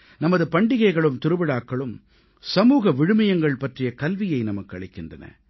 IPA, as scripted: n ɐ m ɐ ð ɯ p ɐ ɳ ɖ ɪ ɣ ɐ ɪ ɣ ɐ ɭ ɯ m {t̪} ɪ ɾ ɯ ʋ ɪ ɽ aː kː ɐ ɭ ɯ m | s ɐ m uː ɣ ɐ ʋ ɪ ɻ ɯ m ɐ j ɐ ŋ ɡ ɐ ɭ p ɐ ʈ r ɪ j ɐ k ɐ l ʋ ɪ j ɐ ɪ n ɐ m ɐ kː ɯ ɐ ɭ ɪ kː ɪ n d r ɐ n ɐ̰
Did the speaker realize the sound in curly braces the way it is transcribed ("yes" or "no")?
yes